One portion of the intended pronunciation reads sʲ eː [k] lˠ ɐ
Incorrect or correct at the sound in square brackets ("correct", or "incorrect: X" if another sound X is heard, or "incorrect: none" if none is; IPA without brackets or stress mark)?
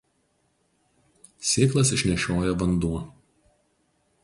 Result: correct